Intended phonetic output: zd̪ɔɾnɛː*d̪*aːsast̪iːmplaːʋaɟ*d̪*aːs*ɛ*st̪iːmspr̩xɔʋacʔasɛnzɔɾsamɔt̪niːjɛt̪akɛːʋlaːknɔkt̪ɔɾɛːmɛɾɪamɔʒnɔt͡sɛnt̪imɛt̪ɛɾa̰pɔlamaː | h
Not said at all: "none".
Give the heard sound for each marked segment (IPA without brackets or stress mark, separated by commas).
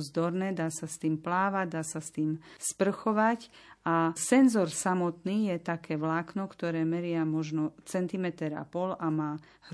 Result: d̪, d̪, a